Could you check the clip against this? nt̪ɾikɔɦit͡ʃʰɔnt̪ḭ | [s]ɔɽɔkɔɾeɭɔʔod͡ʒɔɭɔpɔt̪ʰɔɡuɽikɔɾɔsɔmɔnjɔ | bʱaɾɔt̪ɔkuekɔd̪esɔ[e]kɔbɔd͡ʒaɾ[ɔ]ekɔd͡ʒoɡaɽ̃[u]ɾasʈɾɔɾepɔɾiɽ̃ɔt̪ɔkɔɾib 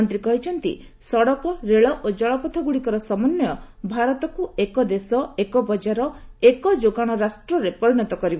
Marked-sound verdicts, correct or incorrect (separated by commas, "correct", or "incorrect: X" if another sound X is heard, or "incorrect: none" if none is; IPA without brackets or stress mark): correct, correct, correct, incorrect: ɔ